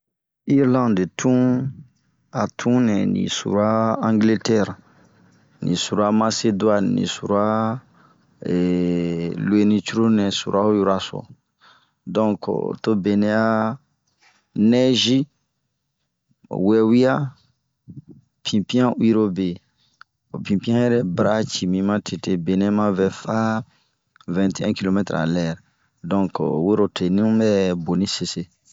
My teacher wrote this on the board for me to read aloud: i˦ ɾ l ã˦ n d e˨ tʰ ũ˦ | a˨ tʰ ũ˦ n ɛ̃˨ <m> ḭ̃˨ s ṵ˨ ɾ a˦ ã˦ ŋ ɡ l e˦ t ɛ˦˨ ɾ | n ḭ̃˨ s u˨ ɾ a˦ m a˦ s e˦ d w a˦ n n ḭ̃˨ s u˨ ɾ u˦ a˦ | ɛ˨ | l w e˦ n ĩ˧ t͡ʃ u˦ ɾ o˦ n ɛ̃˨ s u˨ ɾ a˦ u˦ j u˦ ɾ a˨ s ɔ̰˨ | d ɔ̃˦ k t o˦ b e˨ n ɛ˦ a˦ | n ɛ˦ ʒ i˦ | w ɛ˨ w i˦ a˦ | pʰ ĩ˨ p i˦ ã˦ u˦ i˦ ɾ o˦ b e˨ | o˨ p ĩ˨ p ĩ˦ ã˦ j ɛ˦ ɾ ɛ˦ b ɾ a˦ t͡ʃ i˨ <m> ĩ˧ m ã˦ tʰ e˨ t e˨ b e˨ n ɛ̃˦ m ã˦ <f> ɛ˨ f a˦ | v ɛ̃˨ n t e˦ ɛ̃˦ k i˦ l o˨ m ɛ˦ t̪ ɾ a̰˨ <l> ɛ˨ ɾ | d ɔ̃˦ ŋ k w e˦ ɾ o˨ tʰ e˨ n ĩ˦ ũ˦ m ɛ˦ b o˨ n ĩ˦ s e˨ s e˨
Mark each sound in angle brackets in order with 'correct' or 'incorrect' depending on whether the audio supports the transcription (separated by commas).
incorrect, correct, incorrect, correct